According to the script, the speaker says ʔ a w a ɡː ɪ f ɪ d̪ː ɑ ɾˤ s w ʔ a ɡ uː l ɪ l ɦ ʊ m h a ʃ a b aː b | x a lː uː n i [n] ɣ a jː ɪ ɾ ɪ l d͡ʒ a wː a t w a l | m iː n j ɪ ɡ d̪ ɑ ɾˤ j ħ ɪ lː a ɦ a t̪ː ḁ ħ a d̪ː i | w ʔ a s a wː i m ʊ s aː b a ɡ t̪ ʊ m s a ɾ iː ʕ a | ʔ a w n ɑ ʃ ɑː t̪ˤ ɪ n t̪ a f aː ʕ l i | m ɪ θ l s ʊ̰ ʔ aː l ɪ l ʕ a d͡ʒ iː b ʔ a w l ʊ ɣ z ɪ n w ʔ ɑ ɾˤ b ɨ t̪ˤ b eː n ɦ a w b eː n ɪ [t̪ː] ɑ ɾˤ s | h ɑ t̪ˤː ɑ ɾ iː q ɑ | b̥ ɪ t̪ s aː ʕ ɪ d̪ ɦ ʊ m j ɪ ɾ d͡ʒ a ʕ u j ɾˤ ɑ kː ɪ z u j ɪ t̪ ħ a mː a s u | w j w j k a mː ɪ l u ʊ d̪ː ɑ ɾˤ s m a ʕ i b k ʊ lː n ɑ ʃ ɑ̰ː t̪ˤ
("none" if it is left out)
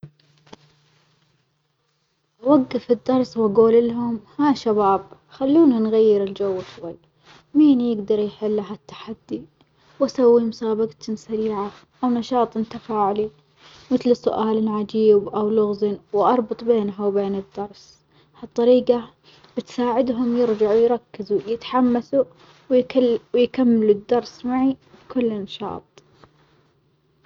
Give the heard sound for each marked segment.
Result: n, d̪ː

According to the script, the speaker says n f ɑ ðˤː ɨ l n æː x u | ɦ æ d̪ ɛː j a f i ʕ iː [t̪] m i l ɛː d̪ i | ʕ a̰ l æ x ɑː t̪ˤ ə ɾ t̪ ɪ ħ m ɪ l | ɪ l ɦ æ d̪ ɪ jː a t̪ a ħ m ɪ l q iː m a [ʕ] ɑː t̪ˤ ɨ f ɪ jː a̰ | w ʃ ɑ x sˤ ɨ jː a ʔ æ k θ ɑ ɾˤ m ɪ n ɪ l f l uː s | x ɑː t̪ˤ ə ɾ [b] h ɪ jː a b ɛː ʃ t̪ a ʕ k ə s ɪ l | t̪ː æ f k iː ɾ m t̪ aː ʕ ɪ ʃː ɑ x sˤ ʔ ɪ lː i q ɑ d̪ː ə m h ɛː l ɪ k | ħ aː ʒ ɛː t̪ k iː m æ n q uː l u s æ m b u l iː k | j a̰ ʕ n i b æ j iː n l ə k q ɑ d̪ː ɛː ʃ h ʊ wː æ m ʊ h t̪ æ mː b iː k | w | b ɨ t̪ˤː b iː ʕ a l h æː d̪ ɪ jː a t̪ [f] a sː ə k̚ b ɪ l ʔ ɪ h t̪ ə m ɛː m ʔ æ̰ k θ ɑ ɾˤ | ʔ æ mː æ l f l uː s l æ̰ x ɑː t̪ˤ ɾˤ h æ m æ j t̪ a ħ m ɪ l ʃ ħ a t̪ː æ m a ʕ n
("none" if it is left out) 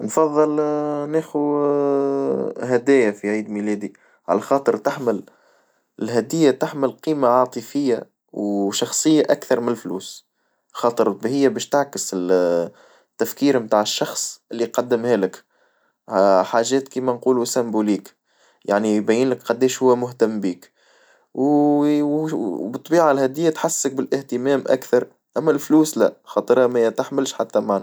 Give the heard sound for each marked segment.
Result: d̪, ʕ, b, ħ

